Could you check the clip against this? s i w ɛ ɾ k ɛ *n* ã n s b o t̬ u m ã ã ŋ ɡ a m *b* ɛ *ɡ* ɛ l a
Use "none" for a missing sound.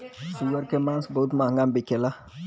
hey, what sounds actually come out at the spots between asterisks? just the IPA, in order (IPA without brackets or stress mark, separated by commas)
m, b, k